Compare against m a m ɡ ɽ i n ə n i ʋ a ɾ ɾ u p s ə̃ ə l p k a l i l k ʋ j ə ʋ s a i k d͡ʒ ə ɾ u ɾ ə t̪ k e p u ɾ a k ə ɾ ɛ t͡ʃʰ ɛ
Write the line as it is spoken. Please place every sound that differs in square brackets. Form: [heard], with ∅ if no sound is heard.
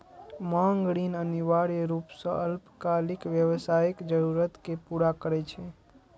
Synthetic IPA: m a [ŋ] ɡ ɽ i n ə n i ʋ a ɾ ɾ u p s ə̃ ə l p k a l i [∅] k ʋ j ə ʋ s a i k d͡ʒ ə ɾ u ɾ ə t̪ k e p u ɾ a k ə ɾ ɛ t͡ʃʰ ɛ